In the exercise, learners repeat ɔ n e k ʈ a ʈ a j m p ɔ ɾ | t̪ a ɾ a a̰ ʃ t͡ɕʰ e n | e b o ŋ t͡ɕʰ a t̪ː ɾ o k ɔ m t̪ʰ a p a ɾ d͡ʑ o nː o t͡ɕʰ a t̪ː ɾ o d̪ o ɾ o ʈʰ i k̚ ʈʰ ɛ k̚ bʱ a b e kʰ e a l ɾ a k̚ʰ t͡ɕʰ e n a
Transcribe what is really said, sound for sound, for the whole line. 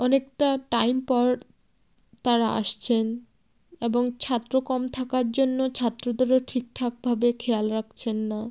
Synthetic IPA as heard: ɔ n e k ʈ a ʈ a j m p ɔ ɾ | t̪ a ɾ a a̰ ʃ t͡ɕʰ e n | e b o ŋ t͡ɕʰ a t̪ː ɾ o k ɔ m t̪ʰ a k a ɾ d͡ʑ o nː o t͡ɕʰ a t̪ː ɾ o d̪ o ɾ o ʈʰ i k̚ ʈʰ a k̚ bʱ a b e kʰ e a l ɾ a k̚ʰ t͡ɕʰ e nː a